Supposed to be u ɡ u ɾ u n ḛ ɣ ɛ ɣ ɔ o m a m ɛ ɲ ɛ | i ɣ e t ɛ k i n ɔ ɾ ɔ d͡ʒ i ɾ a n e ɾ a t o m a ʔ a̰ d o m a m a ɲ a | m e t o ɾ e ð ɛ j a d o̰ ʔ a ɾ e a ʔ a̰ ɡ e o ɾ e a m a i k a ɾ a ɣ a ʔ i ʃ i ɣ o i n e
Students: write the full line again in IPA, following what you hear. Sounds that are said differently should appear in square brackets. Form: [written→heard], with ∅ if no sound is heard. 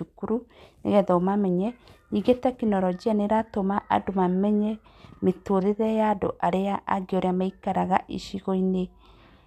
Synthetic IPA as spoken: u [ɡ→k] u ɾ u n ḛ ɣ ɛ [ɣ→ð] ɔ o m a m ɛ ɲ ɛ | i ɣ e t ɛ k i n ɔ ɾ ɔ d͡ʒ i [ɾ→∅] a n e ɾ a t o m a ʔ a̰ d o m a m [a→ɛ] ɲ [a→ɛ] | m e t o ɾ e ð ɛ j a d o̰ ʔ a ɾ e a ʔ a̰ ɡ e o ɾ e a m a i k a ɾ a ɣ a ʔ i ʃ i ɣ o i n e